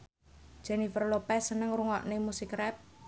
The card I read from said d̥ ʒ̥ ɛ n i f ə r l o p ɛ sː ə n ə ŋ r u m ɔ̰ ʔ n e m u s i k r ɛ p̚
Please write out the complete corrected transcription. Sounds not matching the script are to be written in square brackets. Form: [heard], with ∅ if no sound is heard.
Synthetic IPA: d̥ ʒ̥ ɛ n i f ə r l o p ɛ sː ə n ə ŋ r u [ŋ] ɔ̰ ʔ n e m u s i k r ɛ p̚